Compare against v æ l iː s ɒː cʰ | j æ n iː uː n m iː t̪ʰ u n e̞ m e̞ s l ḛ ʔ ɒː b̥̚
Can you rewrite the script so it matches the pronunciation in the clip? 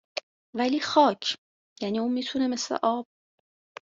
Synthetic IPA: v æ l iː x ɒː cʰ | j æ n iː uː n m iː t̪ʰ u n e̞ m e̞ s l ḛ ʔ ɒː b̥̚